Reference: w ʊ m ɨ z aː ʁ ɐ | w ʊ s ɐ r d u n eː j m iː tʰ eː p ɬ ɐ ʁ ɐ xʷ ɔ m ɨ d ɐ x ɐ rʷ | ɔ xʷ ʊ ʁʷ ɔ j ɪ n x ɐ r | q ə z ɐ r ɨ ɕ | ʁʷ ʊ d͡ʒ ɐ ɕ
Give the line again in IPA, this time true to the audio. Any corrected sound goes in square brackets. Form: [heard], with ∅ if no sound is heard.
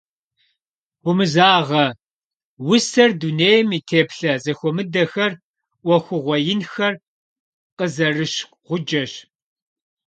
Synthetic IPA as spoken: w ʊ m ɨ z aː ʁ ɐ | w ʊ s ɐ r d u n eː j m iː tʰ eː p ɬ ɐ [z] ɐ xʷ ɔ m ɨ d ɐ x ɐ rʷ | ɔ xʷ ʊ ʁʷ ɔ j ɪ n x ɐ r | q ə z ɐ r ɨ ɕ | ʁʷ ʊ d͡ʒ ɐ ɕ

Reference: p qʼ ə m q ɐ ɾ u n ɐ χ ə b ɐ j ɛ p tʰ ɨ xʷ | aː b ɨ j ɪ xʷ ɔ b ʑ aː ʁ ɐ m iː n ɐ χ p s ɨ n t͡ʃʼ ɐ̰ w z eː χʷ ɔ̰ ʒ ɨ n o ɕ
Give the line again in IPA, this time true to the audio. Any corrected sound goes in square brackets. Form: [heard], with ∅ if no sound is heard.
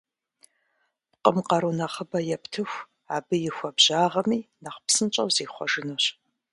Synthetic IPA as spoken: p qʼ ə m q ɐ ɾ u n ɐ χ ə b ɐ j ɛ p tʰ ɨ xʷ | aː b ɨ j ɪ xʷ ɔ b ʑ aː ʁ ɐ m iː n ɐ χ p s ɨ n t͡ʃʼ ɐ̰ w z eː χʷ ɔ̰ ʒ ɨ n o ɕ

